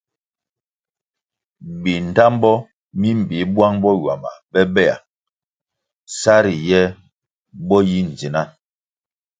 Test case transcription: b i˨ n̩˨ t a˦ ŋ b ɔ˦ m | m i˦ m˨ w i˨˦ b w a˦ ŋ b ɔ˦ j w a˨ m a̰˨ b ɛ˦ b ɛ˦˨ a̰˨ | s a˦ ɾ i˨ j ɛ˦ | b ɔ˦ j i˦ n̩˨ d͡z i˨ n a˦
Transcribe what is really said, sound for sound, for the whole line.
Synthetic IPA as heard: b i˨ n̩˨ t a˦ m b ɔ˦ | m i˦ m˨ b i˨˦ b w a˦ ŋ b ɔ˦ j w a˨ m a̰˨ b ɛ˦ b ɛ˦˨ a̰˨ | s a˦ ɾ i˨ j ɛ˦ | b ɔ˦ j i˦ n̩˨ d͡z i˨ n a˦